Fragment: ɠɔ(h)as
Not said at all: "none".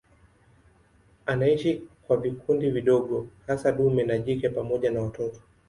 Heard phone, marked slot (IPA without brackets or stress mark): h